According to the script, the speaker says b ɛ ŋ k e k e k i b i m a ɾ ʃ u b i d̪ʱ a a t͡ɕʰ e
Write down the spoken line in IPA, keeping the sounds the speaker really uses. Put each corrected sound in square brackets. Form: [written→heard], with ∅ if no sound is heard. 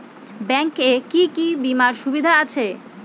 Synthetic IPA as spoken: b ɛ ŋ k e k [e→i] k i b i m a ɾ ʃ u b i d̪ʱ a a t͡ɕʰ e